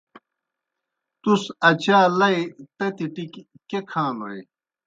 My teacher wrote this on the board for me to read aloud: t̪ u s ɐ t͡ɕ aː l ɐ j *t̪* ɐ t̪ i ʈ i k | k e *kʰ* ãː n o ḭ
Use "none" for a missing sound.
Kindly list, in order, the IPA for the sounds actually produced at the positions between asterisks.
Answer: t̪, kʰ

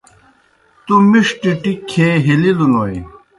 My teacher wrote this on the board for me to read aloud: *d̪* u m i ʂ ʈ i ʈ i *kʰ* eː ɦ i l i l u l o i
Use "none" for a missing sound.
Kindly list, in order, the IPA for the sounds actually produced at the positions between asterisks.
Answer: t̪, kʰ

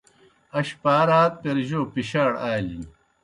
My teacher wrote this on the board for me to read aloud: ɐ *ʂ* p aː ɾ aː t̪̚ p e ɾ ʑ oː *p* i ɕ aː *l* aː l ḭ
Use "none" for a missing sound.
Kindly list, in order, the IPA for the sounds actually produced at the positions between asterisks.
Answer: ɕ, p, ɽ

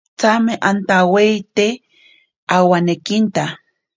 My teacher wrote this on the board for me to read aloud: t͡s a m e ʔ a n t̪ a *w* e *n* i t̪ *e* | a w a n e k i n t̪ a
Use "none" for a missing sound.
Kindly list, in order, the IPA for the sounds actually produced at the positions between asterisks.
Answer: w, none, e

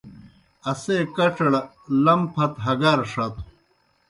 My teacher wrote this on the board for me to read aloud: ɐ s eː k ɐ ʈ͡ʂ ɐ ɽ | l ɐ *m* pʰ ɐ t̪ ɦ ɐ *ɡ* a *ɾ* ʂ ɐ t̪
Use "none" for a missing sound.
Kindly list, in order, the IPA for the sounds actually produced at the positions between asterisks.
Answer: m, ɡ, ɾ

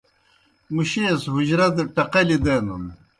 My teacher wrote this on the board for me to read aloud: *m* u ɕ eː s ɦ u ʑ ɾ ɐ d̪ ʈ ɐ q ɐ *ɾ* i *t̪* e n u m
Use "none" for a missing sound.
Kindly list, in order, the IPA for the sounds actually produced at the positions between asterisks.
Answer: m, l, d̪

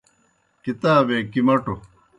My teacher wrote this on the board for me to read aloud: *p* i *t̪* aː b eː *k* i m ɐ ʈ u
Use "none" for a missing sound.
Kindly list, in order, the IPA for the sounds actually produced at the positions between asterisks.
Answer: k, t̪, k

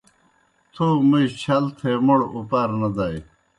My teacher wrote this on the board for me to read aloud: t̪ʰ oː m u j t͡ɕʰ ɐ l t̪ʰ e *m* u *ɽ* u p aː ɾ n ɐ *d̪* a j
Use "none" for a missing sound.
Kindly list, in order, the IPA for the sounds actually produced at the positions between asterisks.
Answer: m, ɽ, d̪

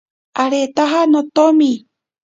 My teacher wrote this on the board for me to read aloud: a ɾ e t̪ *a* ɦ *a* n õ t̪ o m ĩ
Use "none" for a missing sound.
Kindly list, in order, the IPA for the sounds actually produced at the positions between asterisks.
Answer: a, a

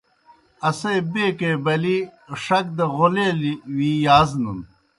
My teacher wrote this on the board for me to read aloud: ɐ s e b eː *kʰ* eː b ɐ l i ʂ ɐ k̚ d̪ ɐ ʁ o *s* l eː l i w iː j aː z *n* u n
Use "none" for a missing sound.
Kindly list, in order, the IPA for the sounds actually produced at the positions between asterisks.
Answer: k, none, n

